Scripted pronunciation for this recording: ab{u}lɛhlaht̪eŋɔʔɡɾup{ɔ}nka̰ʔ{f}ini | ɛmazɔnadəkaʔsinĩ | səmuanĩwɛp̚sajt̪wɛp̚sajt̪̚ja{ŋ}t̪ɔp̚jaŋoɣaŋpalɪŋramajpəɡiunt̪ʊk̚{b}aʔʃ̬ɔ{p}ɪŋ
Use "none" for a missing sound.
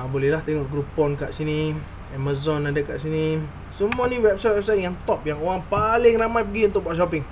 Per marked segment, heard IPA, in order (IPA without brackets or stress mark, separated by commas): o, ɔ, s, ŋ, b, p